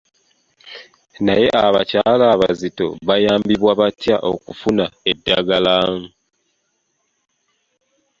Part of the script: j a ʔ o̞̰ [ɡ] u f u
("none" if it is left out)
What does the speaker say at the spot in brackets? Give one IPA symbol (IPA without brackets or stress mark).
k